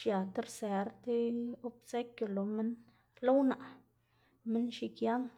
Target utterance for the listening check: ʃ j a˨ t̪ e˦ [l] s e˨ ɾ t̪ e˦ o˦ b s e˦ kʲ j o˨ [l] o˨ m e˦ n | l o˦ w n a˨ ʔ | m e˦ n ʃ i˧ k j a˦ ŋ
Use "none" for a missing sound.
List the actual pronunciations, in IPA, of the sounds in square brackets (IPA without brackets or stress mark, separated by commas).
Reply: ɾ, l